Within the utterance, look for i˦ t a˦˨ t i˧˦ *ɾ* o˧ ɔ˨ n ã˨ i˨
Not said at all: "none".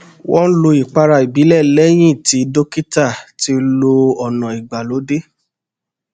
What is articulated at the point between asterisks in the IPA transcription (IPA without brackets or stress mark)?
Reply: l